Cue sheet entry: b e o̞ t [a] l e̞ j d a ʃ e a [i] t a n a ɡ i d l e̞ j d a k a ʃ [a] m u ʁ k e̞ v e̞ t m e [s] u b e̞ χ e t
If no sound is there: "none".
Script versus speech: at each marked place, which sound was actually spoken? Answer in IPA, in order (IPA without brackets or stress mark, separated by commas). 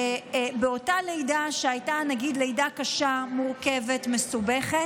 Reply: a, j, a, s